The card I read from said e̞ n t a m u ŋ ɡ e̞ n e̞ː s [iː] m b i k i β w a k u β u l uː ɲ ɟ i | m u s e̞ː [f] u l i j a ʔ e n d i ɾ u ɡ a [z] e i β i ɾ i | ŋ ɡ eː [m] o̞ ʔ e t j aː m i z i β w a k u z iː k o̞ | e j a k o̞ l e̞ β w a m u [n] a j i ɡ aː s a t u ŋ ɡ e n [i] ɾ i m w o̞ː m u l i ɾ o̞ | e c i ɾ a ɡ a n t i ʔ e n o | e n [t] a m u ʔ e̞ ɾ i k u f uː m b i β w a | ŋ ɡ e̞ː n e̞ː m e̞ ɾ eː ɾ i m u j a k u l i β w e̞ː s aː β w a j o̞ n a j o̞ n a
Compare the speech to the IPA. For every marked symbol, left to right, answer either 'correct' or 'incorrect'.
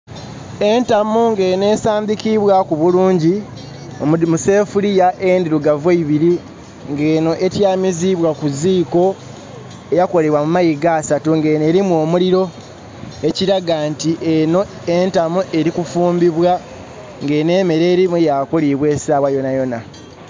incorrect, correct, incorrect, incorrect, incorrect, incorrect, correct

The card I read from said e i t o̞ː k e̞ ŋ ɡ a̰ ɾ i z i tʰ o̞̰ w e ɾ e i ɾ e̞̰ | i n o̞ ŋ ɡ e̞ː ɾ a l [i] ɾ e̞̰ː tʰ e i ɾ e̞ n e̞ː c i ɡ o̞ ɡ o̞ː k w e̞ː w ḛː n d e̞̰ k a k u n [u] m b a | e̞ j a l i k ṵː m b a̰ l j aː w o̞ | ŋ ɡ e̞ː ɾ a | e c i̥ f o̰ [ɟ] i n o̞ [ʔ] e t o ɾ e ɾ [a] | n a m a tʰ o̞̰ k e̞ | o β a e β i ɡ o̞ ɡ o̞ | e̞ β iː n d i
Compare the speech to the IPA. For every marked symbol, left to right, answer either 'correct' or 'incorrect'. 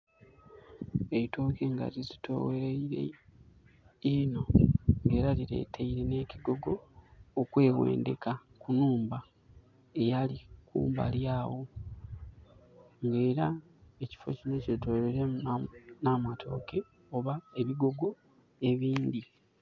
correct, incorrect, incorrect, incorrect, incorrect

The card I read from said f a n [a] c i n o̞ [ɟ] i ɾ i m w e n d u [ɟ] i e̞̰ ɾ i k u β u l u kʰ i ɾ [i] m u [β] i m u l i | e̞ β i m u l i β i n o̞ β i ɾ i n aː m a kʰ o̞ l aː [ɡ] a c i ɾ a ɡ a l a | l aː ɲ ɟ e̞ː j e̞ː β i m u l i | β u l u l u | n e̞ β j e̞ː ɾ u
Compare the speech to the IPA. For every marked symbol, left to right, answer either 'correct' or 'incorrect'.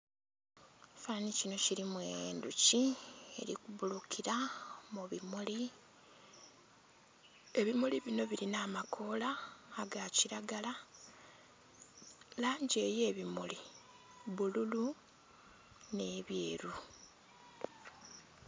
incorrect, incorrect, incorrect, incorrect, correct, correct

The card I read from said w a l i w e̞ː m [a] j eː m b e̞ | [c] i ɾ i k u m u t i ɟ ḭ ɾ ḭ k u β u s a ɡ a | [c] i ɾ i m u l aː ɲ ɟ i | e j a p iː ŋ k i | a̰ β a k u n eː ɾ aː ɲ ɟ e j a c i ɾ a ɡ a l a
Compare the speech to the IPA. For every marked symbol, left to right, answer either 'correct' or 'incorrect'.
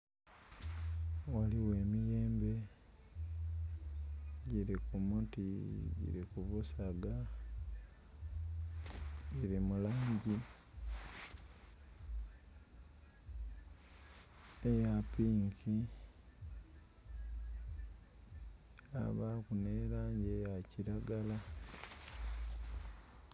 incorrect, incorrect, incorrect

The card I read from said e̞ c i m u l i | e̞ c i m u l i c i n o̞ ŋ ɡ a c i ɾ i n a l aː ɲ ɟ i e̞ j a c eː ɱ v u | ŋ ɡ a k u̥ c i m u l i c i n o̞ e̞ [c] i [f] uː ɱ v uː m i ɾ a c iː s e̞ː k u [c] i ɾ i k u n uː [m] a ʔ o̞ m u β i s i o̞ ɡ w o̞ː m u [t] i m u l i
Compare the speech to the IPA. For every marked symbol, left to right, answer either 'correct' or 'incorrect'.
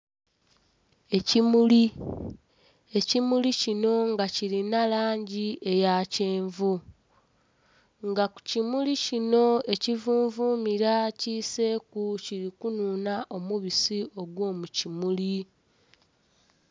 correct, incorrect, correct, incorrect, incorrect

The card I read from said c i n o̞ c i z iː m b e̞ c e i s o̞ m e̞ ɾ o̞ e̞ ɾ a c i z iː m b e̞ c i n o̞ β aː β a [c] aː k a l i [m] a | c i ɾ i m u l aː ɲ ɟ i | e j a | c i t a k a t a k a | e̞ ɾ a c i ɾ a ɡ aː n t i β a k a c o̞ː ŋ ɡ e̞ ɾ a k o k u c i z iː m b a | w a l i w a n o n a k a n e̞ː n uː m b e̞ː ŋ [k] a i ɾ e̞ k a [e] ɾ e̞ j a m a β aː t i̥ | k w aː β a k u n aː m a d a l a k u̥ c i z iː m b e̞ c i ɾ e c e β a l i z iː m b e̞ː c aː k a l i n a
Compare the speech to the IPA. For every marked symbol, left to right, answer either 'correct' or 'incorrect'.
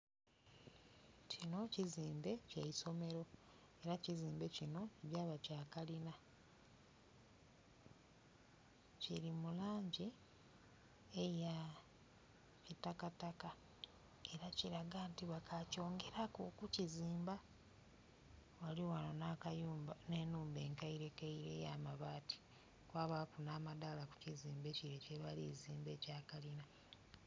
correct, incorrect, correct, incorrect

